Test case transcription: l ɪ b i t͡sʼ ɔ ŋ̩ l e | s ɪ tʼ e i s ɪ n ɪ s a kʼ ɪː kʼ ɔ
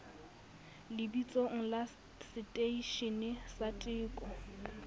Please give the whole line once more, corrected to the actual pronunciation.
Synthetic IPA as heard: l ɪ b i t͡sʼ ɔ ŋ̩ l a | s ɪ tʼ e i ʃ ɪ n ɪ s a tʼ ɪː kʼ ɔ